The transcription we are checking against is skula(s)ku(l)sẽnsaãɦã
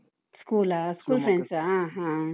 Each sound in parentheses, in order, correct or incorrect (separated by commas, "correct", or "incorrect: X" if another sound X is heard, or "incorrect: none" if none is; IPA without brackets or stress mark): correct, correct